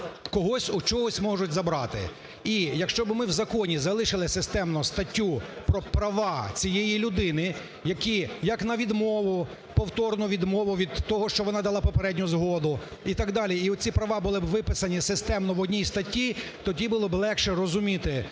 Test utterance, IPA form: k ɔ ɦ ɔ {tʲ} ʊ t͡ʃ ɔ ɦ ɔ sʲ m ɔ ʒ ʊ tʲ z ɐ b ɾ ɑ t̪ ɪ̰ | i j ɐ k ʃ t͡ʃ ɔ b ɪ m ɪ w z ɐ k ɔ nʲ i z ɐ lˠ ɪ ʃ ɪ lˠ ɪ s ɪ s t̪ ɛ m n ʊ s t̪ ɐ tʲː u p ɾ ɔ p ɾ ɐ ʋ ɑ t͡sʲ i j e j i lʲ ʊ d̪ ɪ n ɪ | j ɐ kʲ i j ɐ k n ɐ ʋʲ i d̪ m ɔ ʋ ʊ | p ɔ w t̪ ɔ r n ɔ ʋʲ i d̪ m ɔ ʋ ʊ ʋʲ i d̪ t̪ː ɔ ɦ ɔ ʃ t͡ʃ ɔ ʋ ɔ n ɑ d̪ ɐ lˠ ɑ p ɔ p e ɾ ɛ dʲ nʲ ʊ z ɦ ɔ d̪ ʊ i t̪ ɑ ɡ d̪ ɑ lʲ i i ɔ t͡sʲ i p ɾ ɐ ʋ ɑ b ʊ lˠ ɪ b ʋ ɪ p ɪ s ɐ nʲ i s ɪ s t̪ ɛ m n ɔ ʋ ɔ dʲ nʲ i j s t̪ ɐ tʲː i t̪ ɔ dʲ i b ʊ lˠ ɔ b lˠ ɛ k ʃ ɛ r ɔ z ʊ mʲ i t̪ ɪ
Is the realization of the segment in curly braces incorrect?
yes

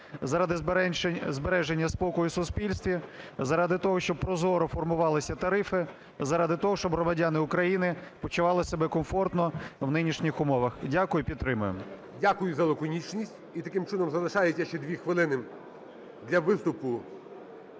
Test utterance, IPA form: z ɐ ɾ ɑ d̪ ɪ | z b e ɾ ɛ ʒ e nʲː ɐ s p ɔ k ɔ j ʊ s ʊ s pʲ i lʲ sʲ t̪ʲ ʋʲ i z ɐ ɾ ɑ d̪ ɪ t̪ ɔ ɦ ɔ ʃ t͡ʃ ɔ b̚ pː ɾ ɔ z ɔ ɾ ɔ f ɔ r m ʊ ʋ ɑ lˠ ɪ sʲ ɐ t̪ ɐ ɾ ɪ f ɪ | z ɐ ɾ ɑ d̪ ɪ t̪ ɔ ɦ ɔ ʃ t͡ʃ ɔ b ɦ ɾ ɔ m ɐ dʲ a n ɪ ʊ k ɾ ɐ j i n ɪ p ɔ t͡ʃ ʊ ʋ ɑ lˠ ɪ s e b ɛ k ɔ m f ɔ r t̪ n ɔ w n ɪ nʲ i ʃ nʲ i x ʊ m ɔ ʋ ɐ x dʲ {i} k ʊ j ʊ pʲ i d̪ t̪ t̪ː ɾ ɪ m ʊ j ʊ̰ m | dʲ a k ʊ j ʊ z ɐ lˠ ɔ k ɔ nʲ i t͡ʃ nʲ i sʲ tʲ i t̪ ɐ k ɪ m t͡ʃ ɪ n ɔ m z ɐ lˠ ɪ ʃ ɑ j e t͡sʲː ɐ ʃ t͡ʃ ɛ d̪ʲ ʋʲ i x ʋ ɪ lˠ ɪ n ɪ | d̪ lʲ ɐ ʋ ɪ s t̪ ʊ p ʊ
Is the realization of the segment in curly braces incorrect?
yes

